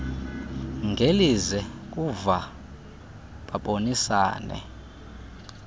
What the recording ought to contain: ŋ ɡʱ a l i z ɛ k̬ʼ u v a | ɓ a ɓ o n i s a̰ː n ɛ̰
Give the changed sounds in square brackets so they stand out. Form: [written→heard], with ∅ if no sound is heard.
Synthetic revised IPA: ŋ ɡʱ [a→e] l i z ɛ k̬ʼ u v a | ɓ a ɓ o n i s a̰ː n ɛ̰